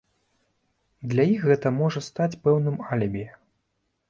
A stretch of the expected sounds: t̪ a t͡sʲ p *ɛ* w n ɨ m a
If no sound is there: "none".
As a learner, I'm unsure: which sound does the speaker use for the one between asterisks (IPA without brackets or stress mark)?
ɛ